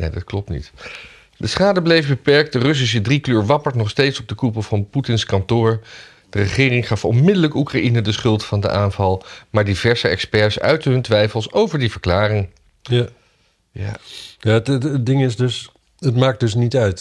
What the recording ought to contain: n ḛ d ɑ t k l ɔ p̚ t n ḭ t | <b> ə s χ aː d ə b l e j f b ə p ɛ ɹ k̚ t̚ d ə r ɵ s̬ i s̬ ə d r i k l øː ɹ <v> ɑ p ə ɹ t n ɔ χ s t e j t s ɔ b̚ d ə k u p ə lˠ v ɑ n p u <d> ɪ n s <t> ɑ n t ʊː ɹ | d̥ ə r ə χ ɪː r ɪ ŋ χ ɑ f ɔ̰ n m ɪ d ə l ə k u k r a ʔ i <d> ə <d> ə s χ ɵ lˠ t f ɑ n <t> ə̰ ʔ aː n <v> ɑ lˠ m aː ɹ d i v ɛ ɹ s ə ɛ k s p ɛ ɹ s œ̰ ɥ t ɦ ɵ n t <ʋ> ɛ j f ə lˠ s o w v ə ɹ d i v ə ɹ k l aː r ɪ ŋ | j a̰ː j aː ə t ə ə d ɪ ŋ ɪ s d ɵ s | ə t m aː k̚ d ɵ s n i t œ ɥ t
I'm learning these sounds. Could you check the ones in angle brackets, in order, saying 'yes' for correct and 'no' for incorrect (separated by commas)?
no, no, no, no, no, yes, no, yes, yes